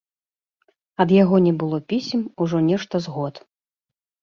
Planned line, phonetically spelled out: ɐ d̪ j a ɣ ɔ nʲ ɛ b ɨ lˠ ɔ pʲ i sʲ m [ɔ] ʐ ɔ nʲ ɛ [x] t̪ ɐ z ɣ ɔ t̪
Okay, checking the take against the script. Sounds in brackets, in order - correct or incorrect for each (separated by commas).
incorrect, incorrect